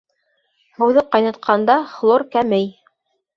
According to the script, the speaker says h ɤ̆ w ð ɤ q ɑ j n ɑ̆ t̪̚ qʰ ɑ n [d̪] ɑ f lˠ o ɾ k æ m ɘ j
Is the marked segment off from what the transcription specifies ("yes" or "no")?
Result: no